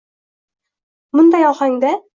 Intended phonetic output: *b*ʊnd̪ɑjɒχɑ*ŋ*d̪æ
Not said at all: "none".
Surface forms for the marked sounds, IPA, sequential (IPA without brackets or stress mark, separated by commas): m, ŋ